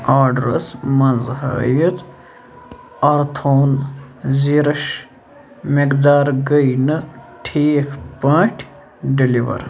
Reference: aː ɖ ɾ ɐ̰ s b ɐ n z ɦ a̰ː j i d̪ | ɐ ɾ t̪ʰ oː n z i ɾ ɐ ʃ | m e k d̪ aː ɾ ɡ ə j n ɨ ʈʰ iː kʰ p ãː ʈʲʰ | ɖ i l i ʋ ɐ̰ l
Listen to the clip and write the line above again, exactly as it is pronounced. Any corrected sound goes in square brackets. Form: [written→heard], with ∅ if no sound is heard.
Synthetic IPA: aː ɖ ɾ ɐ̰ s [b→m] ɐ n z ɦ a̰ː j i [d̪→t̪] | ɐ ɾ t̪ʰ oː n z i ɾ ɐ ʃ | m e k d̪ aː ɾ ɡ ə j n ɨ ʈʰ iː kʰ p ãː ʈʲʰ | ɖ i l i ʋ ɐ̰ [l→ɾ]